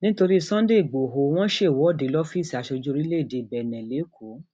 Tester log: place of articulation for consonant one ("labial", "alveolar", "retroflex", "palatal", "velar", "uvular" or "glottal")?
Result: alveolar